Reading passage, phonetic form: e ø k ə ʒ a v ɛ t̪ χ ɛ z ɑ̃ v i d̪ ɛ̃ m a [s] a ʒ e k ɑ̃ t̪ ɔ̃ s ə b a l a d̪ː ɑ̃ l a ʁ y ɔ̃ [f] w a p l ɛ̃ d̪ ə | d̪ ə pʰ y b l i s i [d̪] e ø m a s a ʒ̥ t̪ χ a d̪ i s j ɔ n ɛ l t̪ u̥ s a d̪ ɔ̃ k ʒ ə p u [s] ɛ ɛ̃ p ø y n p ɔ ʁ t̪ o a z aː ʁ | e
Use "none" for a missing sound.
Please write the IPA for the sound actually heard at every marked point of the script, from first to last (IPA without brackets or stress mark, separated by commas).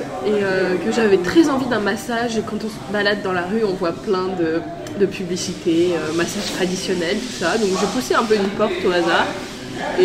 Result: s, v, t̪, s